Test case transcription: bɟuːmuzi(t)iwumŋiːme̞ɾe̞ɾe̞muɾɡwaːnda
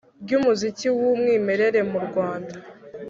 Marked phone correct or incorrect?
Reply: incorrect